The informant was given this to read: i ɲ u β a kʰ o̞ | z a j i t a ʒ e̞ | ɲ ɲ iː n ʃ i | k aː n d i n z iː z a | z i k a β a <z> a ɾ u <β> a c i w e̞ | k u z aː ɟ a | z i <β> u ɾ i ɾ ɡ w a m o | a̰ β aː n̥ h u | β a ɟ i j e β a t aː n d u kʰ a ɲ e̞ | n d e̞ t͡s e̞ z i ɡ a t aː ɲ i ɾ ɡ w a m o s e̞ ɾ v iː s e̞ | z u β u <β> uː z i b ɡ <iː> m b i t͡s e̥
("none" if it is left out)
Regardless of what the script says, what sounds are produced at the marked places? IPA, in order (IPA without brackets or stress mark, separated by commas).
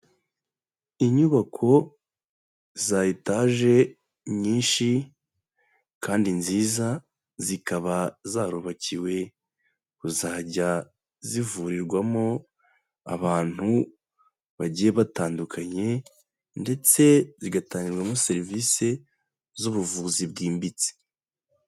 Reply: z, β, v, v, iː